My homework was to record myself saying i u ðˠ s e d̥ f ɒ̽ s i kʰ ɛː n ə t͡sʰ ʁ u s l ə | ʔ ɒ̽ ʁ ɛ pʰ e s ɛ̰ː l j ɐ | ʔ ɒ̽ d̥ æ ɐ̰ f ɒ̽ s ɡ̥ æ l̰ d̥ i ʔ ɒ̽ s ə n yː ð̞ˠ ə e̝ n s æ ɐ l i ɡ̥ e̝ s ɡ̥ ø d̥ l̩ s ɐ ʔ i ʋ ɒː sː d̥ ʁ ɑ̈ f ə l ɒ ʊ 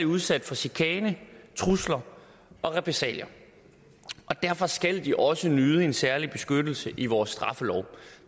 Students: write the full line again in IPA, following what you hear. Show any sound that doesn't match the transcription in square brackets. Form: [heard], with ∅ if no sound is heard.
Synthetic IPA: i u ðˠ s [æ] d̥ f ɒ̽ s i kʰ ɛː n ə t͡sʰ ʁ u s l [ɐ] | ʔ ɒ̽ ʁ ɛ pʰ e s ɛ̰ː l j ɐ | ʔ ɒ̽ d̥ æ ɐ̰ f ɒ̽ s ɡ̥ æ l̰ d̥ i ʔ ɒ̽ s ə n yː ð̞ˠ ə e̝ n s æ ɐ l i [b̥] e̝ s ɡ̥ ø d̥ l̩ s [ə] ʔ i ʋ ɒː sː d̥ ʁ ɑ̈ f ə l ɒ ʊ